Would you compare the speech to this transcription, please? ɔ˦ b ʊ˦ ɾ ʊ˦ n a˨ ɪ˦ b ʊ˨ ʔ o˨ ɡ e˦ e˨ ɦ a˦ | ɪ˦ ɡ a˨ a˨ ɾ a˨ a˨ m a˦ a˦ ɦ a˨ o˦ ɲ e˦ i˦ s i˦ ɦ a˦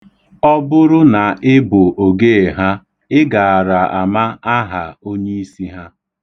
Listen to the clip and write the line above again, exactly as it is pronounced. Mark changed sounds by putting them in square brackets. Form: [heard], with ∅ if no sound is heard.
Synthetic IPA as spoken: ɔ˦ b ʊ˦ ɾ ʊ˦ n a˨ ɪ˦ b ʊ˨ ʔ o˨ ɡ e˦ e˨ ɦ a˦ | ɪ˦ ɡ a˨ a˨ ɾ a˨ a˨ m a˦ a˦ ɦ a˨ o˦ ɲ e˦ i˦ s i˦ ɦ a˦